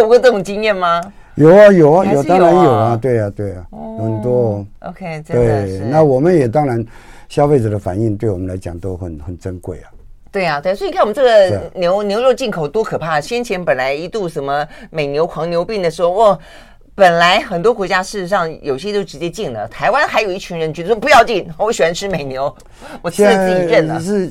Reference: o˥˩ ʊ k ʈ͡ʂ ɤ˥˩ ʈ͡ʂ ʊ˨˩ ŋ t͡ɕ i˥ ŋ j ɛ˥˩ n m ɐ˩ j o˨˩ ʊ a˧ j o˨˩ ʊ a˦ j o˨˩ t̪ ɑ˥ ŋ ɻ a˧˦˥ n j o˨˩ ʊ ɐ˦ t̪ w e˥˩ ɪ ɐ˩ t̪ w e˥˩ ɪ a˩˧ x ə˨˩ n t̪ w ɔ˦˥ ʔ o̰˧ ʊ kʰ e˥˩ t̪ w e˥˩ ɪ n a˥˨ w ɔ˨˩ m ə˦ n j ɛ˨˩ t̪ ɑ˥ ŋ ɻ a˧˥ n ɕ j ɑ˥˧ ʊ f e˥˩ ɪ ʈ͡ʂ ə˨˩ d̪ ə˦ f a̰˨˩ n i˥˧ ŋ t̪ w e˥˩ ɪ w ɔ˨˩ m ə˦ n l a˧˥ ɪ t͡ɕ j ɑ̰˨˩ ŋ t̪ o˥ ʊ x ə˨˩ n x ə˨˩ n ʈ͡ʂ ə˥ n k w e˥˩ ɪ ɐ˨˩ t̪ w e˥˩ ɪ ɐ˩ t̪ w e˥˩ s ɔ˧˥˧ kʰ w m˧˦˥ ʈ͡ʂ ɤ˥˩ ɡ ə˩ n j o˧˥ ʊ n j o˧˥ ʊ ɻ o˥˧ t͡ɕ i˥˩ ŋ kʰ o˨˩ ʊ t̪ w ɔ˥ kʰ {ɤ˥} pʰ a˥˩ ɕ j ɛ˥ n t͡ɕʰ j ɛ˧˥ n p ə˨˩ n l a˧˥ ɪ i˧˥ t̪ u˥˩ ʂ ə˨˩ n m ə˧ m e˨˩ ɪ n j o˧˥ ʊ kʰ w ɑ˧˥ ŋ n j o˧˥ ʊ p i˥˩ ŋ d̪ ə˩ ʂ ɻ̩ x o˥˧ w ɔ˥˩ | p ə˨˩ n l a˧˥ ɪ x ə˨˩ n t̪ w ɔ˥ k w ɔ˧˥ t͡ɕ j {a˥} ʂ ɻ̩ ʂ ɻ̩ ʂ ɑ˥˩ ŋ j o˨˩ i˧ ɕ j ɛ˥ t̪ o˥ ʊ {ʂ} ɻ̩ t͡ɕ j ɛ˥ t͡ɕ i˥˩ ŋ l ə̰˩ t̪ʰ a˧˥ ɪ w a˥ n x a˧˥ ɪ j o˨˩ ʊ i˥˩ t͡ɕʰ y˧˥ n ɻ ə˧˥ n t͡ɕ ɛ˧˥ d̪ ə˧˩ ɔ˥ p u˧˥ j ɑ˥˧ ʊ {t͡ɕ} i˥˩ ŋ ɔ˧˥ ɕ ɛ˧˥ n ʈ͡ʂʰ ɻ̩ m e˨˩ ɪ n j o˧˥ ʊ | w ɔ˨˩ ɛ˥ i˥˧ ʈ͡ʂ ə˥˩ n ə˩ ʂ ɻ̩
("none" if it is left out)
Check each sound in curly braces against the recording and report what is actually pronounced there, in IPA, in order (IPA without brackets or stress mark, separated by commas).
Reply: ɤ˨˩, a˥, ʈ͡ʂ, t͡ɕ